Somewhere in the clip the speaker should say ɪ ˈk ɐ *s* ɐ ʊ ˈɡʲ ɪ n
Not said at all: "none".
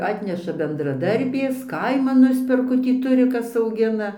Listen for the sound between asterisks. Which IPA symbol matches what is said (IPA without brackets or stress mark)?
s